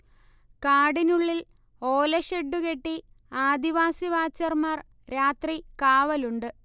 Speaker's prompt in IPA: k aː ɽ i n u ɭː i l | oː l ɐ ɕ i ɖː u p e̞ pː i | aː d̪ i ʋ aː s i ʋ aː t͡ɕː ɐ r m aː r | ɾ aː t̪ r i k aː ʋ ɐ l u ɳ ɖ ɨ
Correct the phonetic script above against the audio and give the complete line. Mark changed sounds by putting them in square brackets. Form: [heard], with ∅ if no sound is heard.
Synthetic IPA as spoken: k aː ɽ i n u ɭː i l | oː l ɐ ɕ [e] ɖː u [k] e̞ [ʈː] i | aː d̪ i ʋ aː s i ʋ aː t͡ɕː ɐ r m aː r | ɾ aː t̪ r i k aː ʋ ɐ l u ɳ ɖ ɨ